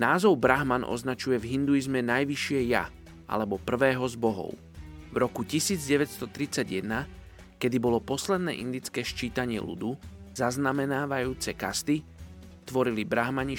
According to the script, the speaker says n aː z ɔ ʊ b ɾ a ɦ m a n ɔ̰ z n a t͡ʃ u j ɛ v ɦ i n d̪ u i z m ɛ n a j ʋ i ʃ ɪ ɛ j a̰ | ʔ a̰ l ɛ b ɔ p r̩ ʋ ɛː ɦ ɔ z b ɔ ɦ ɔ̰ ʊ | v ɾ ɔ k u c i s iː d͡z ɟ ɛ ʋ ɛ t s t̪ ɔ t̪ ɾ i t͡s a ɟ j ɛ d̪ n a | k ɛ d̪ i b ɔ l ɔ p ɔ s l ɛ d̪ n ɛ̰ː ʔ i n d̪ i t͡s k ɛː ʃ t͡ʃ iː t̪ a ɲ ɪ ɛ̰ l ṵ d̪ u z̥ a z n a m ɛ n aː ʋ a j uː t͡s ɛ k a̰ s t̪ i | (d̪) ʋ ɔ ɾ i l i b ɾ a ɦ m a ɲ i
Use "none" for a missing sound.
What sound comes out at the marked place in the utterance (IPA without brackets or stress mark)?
t̪